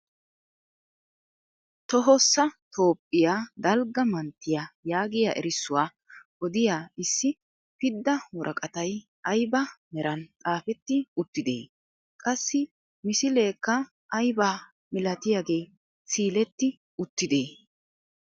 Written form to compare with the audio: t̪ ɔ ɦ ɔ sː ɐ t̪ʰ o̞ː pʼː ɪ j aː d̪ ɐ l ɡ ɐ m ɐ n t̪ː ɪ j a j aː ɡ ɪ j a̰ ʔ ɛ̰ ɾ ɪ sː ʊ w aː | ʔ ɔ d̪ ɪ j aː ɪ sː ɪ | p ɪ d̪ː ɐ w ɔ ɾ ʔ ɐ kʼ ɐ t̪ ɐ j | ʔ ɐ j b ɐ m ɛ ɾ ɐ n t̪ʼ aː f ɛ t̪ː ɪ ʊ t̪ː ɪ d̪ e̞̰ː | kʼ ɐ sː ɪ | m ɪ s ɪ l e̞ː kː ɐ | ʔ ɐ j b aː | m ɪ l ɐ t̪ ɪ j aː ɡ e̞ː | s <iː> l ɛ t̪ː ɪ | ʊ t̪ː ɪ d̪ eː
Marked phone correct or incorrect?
correct